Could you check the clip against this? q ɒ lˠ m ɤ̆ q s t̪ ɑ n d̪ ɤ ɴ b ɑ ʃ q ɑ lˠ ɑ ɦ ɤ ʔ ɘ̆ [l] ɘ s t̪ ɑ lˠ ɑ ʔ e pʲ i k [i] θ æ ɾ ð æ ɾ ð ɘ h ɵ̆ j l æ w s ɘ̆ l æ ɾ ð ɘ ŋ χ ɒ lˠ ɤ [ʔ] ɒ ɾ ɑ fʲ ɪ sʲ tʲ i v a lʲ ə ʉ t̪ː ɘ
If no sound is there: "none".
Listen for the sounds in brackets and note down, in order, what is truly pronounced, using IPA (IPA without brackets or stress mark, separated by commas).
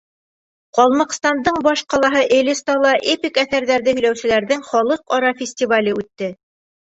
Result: l, æ, q